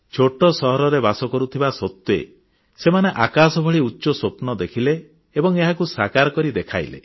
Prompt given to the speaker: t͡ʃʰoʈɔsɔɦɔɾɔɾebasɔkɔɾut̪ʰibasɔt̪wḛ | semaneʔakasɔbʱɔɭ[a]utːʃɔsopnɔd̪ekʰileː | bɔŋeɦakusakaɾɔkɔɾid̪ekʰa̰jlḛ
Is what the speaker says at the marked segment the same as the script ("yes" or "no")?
no